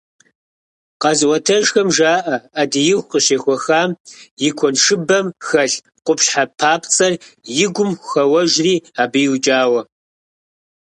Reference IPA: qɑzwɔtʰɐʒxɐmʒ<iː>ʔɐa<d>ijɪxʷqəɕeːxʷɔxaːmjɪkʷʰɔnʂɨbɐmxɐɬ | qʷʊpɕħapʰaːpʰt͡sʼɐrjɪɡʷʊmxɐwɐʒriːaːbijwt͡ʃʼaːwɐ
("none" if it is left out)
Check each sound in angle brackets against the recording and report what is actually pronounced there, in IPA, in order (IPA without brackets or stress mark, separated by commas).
aː, d